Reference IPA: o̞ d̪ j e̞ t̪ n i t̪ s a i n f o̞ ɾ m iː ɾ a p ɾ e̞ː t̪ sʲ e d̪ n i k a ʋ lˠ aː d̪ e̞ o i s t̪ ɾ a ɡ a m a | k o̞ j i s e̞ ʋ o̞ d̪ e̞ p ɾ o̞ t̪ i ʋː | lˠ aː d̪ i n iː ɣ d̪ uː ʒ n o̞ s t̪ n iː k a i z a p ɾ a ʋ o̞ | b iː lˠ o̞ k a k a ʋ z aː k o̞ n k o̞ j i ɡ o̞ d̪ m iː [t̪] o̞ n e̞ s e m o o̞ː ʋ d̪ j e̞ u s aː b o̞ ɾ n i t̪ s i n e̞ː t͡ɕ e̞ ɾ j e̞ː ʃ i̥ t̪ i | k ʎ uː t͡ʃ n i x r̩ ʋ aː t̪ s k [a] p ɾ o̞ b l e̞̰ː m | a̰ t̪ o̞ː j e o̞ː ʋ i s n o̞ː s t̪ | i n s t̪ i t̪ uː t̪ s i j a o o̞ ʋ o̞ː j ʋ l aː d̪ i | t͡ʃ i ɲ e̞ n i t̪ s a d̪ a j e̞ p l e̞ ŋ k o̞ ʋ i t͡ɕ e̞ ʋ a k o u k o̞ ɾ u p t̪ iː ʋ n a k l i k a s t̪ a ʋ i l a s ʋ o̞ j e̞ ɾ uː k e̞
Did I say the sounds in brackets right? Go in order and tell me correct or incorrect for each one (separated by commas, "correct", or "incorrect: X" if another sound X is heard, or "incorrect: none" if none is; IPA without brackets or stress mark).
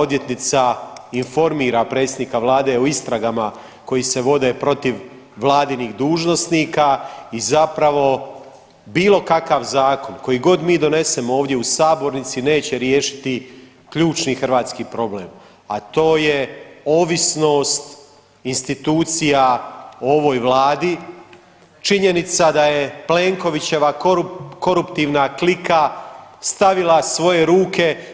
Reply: incorrect: d̪, incorrect: i